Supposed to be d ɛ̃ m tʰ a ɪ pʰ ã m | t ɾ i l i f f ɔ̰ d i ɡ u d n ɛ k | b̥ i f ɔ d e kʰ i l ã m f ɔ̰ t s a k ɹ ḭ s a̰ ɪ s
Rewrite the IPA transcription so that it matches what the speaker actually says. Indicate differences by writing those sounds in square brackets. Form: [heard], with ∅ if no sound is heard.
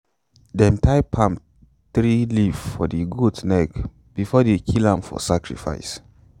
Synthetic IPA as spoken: d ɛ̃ m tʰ a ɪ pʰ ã m | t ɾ i l i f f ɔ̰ d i ɡ u d n ɛ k | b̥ i f ɔ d e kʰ i l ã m f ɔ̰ [∅] s a k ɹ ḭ [f] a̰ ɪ s